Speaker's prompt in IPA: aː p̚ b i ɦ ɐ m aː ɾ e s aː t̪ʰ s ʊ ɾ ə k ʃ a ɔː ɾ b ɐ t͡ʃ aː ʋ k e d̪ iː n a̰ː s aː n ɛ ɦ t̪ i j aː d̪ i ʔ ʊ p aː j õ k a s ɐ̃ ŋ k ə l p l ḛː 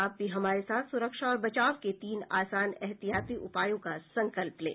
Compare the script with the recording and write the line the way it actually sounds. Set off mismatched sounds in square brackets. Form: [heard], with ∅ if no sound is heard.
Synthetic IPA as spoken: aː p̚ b i ɦ ɐ m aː ɾ e s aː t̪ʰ s ʊ ɾ ə k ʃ a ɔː ɾ b ɐ t͡ʃ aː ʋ k e [t̪] iː n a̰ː s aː n ɛ ɦ t̪ i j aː [t̪] i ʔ ʊ p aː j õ k a s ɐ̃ ŋ k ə l p l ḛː